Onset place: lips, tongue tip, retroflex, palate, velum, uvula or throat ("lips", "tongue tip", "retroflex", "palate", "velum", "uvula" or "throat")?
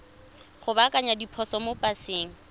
uvula